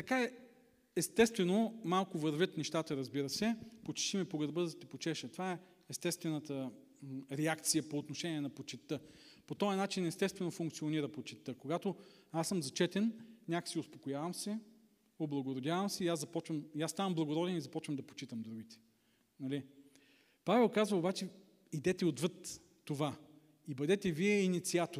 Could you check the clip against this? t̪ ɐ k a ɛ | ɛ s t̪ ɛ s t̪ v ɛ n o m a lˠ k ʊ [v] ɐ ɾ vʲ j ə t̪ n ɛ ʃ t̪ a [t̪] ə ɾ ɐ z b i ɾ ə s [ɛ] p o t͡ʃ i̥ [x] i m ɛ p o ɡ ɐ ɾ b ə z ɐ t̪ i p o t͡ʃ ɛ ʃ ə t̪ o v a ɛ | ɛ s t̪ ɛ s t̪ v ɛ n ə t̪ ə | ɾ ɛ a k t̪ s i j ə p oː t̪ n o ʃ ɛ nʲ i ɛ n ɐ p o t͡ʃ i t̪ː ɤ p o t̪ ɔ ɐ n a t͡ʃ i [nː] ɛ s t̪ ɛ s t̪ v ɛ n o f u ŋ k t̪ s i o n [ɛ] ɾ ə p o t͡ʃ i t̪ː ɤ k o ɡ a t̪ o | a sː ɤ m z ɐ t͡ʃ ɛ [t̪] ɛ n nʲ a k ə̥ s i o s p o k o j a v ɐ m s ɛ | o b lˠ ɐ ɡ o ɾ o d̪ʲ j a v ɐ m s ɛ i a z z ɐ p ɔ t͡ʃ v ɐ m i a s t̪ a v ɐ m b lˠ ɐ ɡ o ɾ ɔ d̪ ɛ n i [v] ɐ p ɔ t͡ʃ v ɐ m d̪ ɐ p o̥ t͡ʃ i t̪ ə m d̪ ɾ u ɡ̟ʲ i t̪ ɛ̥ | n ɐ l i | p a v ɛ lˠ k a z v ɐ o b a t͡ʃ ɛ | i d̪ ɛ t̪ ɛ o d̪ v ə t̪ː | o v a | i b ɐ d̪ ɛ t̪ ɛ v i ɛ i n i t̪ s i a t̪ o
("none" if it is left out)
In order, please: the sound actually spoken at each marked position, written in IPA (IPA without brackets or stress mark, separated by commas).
v, t̪, ɛ, ʃ, n, i, t̪, z